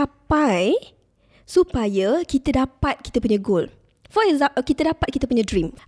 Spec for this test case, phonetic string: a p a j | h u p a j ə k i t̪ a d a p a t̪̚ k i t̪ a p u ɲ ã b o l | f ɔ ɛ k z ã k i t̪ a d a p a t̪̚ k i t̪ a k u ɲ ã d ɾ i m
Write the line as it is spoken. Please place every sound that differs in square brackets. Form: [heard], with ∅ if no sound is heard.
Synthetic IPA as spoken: a p a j | [s] u p a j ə k i t̪ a d a p a t̪̚ k i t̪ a p u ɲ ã [ɡ] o l | f ɔ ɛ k z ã k i t̪ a d a p a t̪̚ k i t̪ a [p] u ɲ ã d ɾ i m